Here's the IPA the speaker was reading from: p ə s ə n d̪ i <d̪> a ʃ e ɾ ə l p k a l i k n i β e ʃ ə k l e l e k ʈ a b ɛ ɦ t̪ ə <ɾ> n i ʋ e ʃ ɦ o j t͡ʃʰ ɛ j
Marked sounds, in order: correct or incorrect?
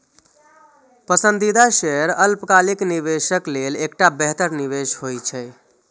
correct, correct

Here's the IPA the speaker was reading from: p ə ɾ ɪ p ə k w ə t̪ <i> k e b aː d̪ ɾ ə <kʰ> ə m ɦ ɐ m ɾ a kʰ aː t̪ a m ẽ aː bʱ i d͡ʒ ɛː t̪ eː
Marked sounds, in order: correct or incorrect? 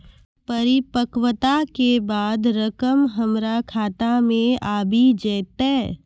incorrect: a, incorrect: k

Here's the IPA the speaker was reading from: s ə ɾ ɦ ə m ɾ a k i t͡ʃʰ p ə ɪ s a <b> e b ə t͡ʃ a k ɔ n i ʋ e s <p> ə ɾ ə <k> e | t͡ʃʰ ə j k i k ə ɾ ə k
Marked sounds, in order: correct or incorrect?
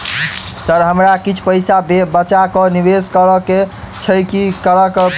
correct, incorrect: k, correct

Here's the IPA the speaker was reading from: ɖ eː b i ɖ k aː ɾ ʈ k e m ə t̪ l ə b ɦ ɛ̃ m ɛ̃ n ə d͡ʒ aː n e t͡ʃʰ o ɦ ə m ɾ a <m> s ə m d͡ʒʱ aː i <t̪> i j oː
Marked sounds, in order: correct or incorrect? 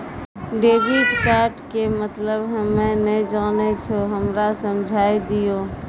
incorrect: none, incorrect: d̪

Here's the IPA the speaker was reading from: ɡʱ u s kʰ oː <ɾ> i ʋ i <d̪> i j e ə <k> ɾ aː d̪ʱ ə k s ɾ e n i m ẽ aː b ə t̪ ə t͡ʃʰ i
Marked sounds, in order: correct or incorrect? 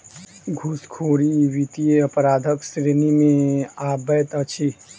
correct, incorrect: t̪, incorrect: p

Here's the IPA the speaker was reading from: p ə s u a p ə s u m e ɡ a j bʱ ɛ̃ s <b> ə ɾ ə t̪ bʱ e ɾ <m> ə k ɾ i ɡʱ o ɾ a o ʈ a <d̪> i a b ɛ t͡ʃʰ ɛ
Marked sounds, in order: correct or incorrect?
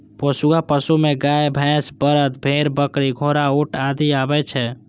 correct, incorrect: b, correct

